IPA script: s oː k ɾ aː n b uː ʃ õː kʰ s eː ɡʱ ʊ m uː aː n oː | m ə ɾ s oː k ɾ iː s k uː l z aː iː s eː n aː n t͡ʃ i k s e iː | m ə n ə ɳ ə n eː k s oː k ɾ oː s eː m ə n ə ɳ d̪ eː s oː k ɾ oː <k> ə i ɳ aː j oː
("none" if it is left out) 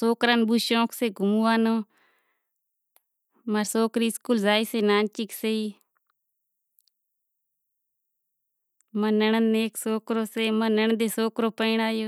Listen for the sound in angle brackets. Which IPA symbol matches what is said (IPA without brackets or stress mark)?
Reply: p